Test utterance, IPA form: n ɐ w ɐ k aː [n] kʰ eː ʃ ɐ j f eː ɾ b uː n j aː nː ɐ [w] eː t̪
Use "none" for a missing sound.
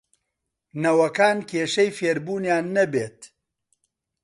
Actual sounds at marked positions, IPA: n, b

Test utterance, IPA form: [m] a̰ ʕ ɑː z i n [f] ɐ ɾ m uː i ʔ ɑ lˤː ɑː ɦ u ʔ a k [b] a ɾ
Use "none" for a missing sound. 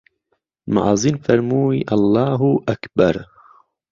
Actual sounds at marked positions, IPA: m, f, b

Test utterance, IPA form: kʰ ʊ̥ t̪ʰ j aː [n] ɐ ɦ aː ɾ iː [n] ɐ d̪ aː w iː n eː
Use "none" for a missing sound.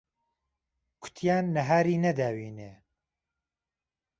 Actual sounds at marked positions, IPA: nː, n

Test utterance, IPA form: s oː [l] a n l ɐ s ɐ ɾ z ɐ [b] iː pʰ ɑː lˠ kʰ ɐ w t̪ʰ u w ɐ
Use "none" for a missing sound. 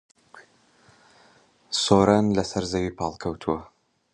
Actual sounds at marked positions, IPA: ɾ, w

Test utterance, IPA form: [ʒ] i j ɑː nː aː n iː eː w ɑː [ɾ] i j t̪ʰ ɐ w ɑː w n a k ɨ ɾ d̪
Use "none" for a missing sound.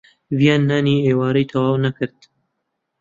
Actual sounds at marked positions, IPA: v, ɾ

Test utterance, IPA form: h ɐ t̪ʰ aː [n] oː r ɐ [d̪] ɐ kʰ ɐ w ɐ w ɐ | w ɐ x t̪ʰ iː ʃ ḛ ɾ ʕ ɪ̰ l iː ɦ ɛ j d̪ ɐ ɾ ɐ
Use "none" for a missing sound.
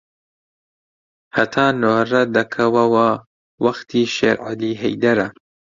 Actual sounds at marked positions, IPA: n, d̪

